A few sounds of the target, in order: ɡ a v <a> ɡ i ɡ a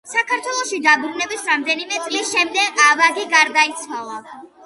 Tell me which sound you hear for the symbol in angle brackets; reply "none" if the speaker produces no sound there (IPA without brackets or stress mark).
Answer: a